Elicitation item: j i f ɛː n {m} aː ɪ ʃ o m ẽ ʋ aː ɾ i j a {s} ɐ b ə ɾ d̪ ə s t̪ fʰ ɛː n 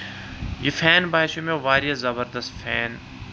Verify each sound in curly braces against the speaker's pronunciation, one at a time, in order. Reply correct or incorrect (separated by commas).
incorrect, incorrect